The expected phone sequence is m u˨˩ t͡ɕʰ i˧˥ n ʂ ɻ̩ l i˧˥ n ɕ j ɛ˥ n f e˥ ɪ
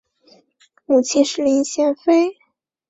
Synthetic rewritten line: m u˨˩ t͡ɕʰ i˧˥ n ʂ ɻ̩ l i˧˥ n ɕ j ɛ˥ n f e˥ ɪ